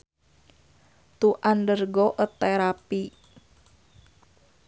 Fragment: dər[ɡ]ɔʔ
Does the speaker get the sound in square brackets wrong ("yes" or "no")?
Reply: no